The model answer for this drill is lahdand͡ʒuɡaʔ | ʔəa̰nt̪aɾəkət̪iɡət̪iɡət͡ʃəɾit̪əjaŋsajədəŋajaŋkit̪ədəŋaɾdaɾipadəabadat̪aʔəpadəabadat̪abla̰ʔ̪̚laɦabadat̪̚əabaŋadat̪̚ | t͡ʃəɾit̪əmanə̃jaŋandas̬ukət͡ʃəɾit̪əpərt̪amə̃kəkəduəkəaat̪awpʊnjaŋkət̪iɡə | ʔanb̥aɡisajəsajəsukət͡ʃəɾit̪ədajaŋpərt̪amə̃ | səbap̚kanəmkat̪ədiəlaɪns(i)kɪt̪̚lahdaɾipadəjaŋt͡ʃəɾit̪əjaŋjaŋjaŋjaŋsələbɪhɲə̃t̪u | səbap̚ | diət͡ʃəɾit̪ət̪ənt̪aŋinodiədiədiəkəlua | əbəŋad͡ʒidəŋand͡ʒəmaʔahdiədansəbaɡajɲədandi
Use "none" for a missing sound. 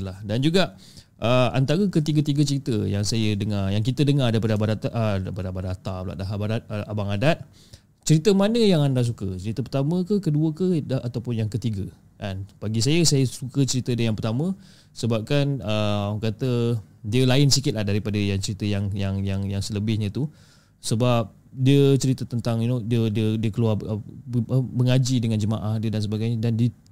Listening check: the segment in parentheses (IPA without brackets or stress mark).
i